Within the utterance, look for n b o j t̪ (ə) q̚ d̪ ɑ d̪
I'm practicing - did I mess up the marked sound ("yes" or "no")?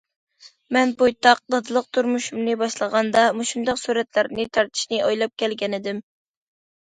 yes